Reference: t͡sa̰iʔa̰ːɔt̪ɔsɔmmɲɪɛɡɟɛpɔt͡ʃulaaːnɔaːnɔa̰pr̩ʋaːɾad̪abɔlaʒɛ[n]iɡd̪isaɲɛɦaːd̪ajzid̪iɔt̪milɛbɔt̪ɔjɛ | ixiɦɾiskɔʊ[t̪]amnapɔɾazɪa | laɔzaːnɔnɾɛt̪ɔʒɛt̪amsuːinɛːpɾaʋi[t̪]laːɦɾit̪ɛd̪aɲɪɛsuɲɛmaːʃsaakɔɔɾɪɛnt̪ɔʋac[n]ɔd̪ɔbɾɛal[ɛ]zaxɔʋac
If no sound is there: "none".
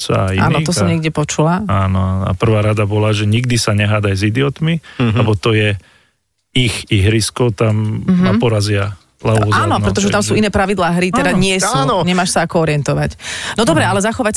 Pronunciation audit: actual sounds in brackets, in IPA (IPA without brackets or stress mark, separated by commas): ɲ, t̪, d̪, n, ɛ